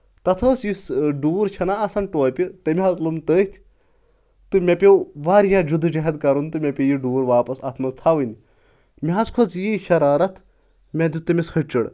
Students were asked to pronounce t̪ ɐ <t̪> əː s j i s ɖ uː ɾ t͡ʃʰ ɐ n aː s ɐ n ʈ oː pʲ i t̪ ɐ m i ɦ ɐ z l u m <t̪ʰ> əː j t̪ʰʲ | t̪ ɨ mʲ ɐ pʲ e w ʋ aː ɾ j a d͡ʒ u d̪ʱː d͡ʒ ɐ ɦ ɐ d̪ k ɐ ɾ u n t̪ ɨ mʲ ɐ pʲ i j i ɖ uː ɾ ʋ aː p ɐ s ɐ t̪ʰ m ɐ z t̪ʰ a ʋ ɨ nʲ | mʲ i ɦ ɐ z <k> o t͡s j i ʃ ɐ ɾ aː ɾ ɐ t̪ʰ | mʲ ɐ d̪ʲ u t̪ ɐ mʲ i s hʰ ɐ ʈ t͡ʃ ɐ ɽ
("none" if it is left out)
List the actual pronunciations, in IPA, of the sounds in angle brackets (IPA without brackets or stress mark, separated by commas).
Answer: t̪ʰ, t̪, kʰ